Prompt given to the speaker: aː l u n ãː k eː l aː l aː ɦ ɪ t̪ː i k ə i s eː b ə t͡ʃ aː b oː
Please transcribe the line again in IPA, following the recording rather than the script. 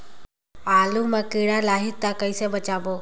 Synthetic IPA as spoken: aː l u m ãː k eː ɽ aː l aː ɦ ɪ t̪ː a k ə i s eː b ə t͡ʃ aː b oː